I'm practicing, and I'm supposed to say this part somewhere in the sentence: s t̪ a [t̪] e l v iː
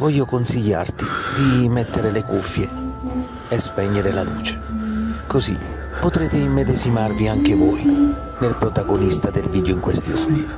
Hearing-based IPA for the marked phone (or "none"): d̪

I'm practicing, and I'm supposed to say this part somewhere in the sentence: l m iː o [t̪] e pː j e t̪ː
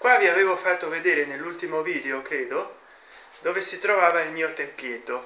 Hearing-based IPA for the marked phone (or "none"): t̪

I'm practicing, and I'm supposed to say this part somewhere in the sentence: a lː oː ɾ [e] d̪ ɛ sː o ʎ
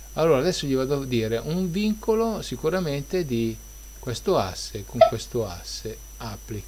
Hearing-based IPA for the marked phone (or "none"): a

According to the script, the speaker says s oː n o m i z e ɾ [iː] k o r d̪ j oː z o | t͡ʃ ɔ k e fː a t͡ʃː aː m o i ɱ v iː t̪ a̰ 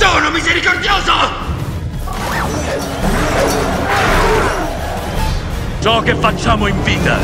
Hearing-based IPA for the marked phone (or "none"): i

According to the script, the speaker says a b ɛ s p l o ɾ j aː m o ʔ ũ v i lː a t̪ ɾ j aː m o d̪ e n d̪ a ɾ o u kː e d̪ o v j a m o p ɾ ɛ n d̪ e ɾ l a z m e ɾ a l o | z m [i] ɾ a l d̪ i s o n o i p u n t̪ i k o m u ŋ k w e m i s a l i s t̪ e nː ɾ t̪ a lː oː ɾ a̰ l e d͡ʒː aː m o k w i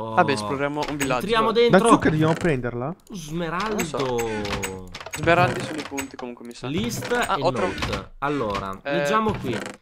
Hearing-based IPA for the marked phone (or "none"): e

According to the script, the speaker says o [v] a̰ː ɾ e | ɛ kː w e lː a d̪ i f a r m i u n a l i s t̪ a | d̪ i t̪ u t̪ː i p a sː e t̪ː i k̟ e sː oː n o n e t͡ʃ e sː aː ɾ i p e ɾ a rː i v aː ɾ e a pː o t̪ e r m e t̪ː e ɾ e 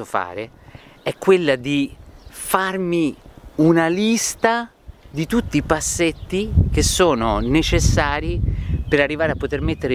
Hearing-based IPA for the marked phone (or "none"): f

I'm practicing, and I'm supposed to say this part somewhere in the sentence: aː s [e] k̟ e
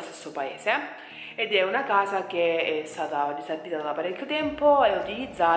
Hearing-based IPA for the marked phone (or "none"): a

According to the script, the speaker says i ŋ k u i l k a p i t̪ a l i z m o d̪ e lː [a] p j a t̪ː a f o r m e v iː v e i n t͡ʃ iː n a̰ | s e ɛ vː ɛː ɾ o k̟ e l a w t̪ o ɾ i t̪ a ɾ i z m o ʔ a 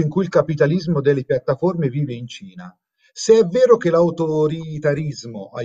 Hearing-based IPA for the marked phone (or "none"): e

